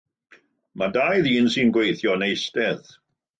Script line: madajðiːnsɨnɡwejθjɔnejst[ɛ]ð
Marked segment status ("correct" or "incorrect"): correct